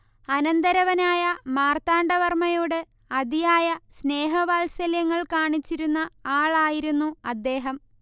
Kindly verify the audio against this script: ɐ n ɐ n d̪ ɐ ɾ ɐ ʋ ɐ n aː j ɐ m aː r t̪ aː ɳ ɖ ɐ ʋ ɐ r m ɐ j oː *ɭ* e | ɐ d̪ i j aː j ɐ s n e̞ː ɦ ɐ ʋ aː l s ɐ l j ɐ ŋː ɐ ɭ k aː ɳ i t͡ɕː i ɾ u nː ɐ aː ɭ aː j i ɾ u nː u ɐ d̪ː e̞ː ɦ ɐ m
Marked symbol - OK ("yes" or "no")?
no